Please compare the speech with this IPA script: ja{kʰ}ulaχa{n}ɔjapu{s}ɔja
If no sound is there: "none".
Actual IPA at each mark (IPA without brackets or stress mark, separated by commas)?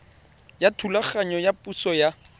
tʰ, ɲ, s